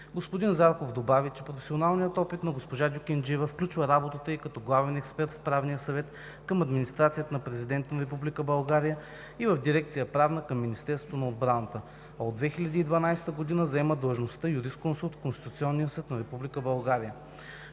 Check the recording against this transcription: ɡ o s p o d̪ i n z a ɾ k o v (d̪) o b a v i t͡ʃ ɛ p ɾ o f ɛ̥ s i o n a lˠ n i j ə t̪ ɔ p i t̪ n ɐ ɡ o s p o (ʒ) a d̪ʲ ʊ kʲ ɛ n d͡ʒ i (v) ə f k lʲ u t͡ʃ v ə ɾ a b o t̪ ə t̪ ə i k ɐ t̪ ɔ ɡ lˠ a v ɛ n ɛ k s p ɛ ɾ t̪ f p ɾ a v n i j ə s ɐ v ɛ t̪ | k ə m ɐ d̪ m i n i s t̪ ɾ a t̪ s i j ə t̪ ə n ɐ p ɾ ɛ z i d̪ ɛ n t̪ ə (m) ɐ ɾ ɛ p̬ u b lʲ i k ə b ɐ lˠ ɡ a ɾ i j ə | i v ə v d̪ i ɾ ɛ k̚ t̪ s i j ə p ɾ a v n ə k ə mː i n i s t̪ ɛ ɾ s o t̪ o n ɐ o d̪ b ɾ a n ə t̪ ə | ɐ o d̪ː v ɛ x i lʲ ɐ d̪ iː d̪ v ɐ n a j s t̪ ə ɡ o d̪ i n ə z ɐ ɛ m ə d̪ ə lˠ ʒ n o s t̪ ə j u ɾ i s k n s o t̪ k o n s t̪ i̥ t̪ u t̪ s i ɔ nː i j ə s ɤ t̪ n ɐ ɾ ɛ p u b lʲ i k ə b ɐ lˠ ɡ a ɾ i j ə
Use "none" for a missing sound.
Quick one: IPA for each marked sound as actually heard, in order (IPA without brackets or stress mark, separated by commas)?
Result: d̪, ʒ, v, n